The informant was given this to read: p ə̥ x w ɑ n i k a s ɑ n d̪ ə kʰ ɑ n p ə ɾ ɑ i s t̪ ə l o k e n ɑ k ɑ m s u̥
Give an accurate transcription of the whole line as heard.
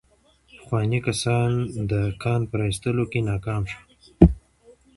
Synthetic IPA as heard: p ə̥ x w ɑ n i k a s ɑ n d̪ ə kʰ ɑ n p ə ɾ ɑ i s t̪ ə l o k e n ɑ k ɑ m ʃ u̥